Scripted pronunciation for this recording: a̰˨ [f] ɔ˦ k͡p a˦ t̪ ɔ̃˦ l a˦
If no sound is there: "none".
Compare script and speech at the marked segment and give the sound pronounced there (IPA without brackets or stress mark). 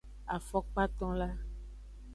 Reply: f